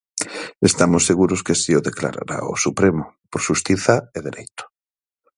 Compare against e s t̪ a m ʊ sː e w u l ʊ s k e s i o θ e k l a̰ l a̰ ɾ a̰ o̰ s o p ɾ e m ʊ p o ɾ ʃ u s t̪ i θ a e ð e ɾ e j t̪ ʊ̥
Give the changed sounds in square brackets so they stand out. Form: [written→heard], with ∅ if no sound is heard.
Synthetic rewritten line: e s t̪ a m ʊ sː e [w→ɣ] u [l→ɾ] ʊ s k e s i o [θ→ð] e k l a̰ [l→ɾ] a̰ ɾ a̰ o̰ s [o→u] p ɾ e m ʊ p o ɾ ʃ u s t̪ i θ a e ð e ɾ e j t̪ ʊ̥